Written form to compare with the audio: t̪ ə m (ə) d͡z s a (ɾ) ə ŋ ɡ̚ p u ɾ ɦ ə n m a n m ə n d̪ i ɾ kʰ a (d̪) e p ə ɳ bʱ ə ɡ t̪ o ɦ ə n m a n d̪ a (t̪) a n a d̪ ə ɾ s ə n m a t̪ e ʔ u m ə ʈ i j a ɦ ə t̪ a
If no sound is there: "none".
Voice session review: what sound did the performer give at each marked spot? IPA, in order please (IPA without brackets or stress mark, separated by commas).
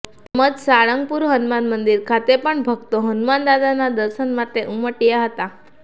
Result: ə, ɭ, t̪, d̪